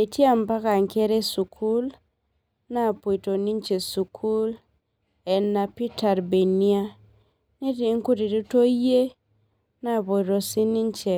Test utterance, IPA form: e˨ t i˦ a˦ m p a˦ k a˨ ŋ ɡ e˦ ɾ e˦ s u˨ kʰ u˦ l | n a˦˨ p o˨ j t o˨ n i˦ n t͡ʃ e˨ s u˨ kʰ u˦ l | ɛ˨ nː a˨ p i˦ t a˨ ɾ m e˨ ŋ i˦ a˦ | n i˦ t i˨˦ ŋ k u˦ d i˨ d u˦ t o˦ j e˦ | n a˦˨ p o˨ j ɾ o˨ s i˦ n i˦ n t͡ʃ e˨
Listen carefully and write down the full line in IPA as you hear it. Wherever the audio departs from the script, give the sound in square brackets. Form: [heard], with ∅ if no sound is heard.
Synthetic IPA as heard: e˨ t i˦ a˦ m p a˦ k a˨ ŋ [k] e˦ ɾ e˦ s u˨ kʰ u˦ l | n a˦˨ p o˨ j t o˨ n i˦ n t͡ʃ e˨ s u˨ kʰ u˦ l | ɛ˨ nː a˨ p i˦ t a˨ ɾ [b] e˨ [n] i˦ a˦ | n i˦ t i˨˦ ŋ k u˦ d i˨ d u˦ t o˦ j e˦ | n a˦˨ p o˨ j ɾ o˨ s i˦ n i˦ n t͡ʃ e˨